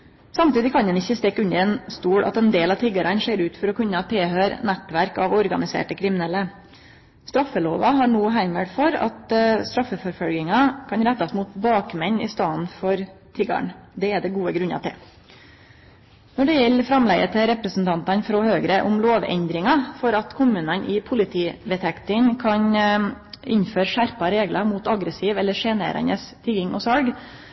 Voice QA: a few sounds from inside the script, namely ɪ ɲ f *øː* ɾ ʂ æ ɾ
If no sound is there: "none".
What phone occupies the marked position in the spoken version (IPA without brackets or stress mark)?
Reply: øː